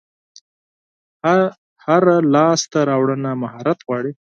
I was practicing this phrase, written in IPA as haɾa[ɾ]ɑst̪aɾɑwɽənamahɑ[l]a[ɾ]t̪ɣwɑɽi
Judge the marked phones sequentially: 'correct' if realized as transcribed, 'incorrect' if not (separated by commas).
incorrect, incorrect, incorrect